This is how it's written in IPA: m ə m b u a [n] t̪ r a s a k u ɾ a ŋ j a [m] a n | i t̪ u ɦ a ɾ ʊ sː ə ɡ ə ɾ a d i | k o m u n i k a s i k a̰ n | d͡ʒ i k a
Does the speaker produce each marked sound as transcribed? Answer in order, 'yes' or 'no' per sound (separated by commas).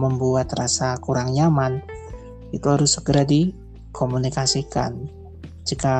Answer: no, yes